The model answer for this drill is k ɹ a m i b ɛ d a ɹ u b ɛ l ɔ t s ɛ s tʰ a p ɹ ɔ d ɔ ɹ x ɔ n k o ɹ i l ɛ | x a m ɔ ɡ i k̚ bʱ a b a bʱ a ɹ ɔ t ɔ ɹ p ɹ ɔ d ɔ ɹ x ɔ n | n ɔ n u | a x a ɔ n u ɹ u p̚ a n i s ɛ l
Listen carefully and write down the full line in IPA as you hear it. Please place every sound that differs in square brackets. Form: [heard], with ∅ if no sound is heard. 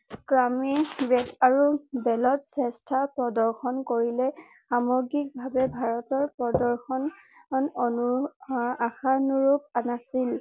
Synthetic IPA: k ɹ a m i b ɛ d a ɹ u b ɛ l ɔ t s ɛ s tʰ a p ɹ ɔ d ɔ ɹ x ɔ n k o ɹ i l ɛ | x a m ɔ ɡ i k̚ bʱ a b [ɛ] bʱ a ɹ ɔ t ɔ ɹ p ɹ ɔ d ɔ ɹ x ɔ n | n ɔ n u | a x a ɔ n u ɹ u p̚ a n [a] s [i] l